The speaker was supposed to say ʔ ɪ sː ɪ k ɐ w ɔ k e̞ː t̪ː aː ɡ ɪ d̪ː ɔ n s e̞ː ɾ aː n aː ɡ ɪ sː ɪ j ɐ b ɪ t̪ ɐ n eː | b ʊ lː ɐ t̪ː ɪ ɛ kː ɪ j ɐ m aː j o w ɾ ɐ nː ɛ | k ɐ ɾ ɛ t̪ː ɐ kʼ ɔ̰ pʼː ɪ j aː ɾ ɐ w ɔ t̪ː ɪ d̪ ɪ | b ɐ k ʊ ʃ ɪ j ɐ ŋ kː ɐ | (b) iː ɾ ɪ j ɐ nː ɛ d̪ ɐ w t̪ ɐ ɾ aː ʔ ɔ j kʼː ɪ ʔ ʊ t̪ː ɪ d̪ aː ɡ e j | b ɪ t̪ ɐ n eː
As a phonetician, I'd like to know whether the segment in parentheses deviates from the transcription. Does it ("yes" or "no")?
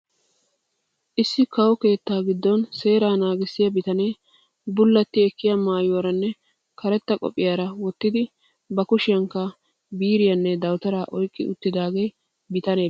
no